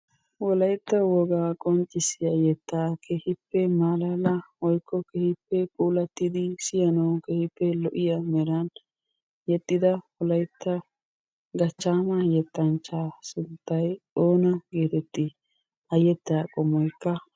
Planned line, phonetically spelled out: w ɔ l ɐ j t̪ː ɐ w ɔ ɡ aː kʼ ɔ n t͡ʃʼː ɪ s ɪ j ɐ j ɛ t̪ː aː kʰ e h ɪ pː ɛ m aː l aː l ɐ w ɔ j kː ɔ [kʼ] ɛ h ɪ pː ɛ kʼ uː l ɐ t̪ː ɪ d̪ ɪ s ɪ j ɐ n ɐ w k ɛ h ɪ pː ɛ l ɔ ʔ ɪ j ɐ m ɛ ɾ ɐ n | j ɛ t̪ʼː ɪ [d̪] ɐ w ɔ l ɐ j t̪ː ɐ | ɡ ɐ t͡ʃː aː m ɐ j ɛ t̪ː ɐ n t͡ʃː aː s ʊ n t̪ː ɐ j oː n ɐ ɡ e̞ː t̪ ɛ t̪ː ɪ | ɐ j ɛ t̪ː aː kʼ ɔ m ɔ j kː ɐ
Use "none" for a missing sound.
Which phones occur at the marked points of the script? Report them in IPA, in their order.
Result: k, d̪

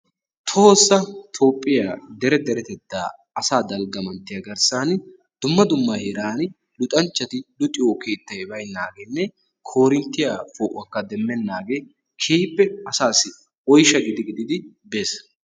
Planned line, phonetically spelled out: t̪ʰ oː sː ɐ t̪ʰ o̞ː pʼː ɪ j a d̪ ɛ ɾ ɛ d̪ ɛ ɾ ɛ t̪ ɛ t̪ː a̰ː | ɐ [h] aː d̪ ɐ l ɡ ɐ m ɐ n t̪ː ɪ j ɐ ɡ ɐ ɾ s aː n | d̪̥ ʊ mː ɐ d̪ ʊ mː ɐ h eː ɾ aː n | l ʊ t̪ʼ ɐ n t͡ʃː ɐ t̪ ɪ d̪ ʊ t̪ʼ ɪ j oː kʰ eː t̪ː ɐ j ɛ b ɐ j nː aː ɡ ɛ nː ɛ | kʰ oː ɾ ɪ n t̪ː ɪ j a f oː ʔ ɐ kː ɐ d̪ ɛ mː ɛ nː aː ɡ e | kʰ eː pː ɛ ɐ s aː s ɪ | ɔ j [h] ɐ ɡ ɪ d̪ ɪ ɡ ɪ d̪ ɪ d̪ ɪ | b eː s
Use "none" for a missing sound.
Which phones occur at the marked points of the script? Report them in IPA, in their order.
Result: s, ʃ

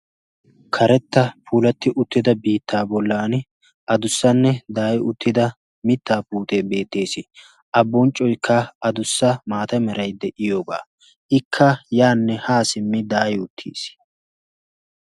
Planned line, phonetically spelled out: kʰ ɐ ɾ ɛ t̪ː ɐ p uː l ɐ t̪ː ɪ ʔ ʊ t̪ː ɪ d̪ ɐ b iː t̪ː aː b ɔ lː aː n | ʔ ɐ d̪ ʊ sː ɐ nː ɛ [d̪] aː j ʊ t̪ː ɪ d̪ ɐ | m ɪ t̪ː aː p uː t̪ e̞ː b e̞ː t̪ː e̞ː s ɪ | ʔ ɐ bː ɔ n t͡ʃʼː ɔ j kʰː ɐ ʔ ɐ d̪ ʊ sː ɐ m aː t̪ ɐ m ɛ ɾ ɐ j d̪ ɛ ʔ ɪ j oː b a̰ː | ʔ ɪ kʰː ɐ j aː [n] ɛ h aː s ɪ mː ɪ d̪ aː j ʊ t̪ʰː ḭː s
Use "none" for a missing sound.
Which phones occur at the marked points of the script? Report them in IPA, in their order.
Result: d̪, nː

